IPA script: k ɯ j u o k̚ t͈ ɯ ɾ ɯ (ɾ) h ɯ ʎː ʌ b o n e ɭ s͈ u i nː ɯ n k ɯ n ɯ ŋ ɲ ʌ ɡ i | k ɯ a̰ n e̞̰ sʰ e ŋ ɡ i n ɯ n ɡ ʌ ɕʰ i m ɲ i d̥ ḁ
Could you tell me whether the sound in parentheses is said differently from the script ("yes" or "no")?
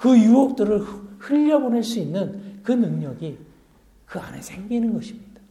yes